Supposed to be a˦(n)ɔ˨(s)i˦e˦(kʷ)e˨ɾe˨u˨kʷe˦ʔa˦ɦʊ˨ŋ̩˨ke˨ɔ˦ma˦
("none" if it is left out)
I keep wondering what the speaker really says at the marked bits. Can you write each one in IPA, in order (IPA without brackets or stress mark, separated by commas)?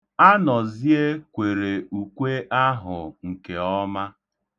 n, z, kʷ